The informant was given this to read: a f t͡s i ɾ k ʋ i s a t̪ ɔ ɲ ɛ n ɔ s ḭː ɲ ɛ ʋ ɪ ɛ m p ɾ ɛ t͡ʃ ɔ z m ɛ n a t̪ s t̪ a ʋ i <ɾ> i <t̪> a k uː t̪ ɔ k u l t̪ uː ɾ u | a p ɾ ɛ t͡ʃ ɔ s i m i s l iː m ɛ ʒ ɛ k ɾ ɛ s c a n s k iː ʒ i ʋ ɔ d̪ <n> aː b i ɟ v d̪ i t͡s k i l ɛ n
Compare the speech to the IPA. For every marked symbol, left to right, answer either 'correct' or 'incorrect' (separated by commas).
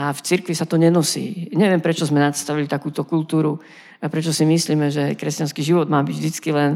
incorrect, correct, incorrect